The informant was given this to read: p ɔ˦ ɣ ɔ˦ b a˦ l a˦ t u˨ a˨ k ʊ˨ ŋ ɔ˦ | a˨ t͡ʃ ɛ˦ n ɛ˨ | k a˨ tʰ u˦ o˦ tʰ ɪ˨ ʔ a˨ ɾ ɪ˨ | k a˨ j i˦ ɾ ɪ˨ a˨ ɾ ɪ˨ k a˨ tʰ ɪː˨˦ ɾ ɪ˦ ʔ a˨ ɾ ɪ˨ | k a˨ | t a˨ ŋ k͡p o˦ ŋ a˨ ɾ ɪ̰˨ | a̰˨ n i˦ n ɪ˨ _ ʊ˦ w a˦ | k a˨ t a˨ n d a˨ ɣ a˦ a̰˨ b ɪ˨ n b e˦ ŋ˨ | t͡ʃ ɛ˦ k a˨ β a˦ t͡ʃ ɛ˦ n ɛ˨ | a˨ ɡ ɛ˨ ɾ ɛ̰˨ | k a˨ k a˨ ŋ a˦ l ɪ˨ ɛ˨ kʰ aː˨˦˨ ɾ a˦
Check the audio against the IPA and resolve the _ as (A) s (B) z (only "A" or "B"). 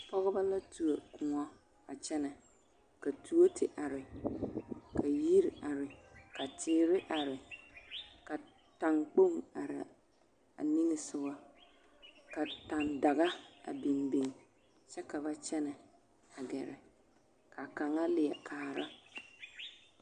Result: A